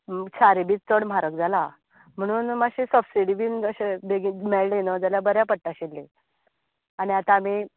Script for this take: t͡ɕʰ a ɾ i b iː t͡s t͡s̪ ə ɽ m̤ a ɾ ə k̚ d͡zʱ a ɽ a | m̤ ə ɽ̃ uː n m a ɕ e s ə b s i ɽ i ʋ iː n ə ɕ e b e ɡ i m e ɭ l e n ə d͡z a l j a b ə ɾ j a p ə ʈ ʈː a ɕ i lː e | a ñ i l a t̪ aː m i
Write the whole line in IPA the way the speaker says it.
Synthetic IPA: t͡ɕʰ a ɾ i b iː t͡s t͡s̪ ə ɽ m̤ a ɾ ə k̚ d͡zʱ a l a | m̤ ə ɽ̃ uː n m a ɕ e s ə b s i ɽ i ʋ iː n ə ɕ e b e ɡ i m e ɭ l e n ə d͡z a l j a b ə ɾ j a p ə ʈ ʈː a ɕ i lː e | a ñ i a t̪ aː m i